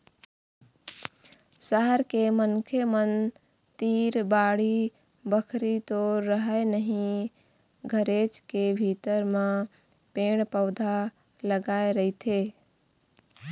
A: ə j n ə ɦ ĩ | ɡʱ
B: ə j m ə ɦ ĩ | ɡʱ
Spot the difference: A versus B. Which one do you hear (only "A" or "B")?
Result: A